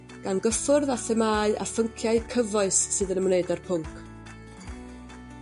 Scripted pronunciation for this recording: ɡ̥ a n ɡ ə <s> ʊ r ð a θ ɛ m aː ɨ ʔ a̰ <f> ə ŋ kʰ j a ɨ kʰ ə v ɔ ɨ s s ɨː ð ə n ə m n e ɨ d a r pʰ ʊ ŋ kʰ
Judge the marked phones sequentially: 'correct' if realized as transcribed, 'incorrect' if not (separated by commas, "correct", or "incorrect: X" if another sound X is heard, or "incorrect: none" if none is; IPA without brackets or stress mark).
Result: incorrect: f, correct